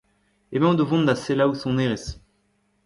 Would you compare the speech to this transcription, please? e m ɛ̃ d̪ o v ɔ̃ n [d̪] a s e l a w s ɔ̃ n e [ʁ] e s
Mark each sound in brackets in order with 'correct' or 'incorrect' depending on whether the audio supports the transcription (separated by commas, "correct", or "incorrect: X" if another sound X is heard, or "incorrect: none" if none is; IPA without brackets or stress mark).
correct, correct